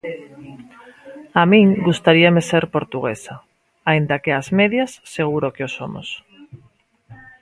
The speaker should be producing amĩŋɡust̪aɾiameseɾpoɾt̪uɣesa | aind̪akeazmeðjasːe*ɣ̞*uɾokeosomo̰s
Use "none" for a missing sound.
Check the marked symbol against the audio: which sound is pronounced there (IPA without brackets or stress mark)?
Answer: ɣ̞